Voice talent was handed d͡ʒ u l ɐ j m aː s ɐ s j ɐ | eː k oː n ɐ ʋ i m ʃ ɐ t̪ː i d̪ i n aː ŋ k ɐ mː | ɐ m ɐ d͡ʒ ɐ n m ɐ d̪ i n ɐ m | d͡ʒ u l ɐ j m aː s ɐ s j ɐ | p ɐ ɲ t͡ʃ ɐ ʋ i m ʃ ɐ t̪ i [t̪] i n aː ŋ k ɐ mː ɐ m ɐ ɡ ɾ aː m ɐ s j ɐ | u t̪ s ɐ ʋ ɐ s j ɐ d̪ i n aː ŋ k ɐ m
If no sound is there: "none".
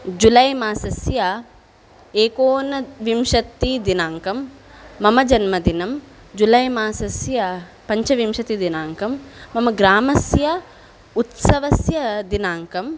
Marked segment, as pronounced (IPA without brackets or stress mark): d̪